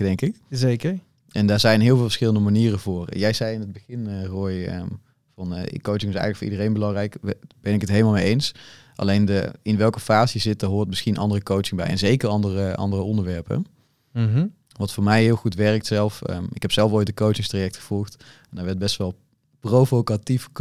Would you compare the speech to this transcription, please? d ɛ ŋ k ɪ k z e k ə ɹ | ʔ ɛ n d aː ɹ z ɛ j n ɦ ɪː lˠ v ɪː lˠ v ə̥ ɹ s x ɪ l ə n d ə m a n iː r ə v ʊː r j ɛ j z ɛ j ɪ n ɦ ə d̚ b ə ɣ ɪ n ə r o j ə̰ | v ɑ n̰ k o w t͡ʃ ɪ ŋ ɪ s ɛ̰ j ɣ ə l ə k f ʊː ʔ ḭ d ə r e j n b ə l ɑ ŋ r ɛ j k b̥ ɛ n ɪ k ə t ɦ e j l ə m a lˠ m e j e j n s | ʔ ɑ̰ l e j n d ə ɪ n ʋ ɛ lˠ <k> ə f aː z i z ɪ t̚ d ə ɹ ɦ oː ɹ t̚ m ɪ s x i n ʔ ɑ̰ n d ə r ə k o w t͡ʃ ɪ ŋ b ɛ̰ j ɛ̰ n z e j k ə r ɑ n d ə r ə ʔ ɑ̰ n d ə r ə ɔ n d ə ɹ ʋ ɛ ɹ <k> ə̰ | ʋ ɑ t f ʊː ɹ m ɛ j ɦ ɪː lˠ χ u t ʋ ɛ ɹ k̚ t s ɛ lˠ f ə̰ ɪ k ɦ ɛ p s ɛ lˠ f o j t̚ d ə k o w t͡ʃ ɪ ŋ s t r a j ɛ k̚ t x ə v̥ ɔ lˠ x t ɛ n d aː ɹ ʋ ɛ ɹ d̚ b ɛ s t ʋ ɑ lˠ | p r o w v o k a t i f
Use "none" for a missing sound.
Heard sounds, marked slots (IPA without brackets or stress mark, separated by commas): k, p